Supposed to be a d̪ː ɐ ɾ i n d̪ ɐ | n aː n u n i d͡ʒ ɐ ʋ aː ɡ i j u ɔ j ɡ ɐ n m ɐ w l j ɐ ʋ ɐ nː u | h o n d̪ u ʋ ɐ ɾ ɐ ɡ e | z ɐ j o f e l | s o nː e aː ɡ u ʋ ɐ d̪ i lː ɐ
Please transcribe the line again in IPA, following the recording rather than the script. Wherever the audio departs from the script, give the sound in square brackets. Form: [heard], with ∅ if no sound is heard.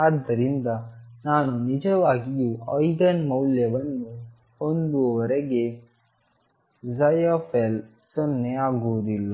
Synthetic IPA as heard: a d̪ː ɐ ɾ i n d̪ ɐ | n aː n u n i d͡ʒ ɐ ʋ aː ɡ i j u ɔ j ɡ ɐ n m ɐ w l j ɐ ʋ ɐ nː u | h o n d̪ u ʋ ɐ ɾ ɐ ɡ e | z ɐ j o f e l | s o nː e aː ɡ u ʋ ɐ d̪ i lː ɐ

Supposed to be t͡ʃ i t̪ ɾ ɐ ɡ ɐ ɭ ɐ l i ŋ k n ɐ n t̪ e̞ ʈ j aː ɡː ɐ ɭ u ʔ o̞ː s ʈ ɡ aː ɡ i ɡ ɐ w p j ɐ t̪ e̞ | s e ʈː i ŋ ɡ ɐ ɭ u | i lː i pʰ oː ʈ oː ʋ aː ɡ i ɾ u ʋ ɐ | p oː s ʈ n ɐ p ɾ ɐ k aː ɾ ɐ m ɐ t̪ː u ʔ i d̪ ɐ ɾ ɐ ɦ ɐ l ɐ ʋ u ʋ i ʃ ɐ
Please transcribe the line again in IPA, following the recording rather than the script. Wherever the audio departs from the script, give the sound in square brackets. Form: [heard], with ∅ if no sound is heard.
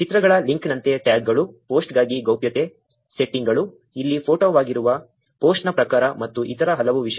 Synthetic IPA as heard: t͡ʃ i t̪ ɾ ɐ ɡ ɐ ɭ ɐ l i ŋ k n ɐ n t̪ e̞ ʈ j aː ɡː ɐ ɭ u [p] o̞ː s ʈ ɡ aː ɡ i ɡ ɐ w p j ɐ t̪ e̞ | s e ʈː i ŋ ɡ ɐ ɭ u | i lː i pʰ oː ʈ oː ʋ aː ɡ i ɾ u ʋ ɐ | p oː s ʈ n ɐ p ɾ ɐ k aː ɾ ɐ m ɐ t̪ː u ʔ i [t̪] ɐ ɾ ɐ ɦ ɐ l ɐ ʋ u ʋ i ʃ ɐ

